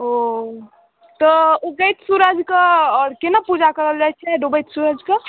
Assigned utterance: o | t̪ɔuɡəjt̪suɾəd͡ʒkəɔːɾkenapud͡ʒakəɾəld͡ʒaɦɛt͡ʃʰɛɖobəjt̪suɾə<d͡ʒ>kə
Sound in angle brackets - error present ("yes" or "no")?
no